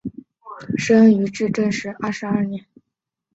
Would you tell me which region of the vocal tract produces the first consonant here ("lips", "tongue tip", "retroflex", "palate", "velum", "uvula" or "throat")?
retroflex